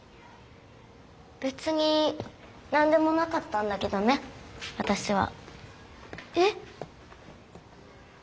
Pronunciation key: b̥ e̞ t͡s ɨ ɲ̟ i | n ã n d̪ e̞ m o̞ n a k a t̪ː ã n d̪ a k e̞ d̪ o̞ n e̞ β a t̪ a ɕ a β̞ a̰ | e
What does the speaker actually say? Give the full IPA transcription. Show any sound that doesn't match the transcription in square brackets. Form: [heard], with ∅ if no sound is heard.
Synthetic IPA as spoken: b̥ e̞ t͡s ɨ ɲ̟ i | n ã n d̪ e̞ m o̞ n a k a t̪ː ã n d̪ a k e̞ d̪ o̞ n e̞ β a t̪ a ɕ [i] β̞ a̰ | e